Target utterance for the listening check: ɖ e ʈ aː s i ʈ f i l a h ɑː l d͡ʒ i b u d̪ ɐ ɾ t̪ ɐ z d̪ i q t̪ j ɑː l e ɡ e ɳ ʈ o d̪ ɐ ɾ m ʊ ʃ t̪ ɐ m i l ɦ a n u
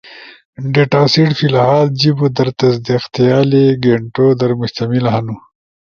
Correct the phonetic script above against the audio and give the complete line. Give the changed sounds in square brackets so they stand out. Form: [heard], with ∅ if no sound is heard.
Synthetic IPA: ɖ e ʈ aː s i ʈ f i l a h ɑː l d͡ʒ i b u d̪ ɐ ɾ t̪ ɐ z d̪ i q t̪ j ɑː l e ɡ e ɳ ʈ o d̪ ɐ ɾ m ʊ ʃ t̪ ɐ m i l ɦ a n u